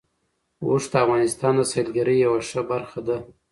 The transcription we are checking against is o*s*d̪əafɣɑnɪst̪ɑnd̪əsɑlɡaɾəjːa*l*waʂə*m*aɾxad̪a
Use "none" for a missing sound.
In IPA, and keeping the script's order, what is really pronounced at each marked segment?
ʂ, none, b

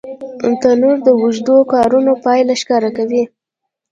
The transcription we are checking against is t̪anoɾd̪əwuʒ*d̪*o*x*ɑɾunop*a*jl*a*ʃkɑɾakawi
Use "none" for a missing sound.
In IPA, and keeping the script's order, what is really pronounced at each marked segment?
d̪, k, ɑ, a

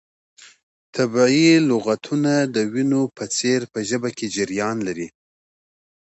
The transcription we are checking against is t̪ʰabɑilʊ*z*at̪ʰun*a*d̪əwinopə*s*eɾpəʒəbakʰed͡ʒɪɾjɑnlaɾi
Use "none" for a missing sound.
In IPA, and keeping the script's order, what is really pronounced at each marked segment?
ɣ, a, t͡s

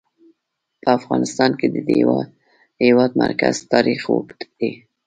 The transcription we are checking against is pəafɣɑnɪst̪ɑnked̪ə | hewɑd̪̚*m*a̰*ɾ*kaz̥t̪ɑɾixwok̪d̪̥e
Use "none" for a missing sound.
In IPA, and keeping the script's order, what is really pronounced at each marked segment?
m, ɾ

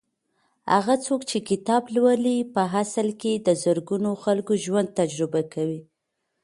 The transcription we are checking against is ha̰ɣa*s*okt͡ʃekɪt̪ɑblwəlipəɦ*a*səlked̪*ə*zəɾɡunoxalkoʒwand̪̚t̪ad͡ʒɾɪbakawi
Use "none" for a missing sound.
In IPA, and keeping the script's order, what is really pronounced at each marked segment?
t͡s, a, ə

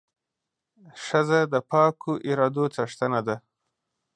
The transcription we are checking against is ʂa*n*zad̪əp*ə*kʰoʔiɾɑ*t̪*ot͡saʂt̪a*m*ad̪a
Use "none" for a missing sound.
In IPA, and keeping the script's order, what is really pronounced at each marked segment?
none, ɑ, d̪, n

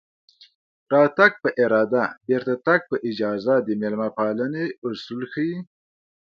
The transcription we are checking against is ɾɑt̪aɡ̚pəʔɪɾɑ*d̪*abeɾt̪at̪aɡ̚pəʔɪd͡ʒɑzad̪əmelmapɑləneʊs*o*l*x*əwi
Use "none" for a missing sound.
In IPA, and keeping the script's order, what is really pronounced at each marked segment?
d̪, u, x

